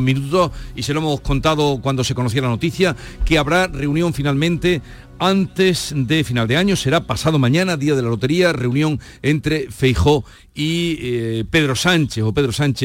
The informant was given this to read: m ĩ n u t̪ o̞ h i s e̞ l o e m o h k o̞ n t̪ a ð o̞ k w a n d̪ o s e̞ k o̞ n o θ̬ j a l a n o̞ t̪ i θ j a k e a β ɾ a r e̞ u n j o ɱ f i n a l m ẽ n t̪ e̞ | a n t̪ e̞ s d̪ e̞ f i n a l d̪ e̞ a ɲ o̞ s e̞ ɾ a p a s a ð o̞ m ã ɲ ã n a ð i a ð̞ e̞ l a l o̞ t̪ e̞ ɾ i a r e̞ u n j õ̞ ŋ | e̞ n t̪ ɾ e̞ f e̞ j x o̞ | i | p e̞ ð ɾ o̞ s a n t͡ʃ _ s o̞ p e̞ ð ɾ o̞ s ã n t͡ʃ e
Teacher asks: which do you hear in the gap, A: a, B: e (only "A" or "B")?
B